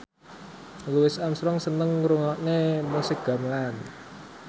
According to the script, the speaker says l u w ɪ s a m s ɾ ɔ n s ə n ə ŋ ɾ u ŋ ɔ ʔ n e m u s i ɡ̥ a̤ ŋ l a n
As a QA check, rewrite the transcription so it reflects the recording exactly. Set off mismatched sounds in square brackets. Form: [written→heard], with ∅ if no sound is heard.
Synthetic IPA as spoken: l u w ɪ s a m s ɾ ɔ [n→ŋ] s ə n ə ŋ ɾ u ŋ ɔ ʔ n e m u s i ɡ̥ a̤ [ŋ→m] l a n